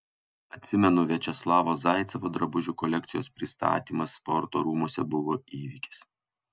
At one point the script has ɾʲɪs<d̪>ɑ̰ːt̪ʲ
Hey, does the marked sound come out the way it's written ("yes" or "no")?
no